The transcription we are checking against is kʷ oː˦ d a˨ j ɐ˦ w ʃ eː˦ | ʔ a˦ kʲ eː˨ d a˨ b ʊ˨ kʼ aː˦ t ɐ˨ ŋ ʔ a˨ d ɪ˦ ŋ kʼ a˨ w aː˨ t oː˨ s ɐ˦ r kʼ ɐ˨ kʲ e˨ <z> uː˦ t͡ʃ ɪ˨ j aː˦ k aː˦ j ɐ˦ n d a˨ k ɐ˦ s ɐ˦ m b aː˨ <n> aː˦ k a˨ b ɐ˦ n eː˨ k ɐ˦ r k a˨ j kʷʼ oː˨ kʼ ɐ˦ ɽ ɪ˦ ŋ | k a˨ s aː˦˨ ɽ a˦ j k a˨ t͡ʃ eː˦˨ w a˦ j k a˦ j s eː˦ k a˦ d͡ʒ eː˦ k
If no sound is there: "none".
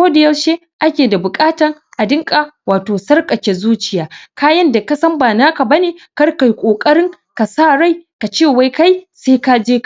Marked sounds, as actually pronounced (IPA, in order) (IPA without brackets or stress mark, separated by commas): z, n